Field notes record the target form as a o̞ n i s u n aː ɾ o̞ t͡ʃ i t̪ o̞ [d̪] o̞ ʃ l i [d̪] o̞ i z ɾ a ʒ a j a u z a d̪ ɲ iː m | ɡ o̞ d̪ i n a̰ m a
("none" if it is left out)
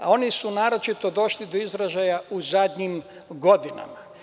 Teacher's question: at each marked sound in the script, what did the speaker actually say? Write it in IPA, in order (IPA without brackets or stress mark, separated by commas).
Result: d̪, d̪